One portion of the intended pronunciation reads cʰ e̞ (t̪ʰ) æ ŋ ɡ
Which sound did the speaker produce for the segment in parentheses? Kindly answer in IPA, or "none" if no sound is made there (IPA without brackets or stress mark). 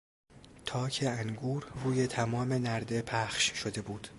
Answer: none